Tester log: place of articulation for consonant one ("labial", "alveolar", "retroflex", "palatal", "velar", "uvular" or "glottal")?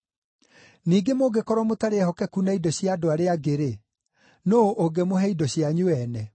alveolar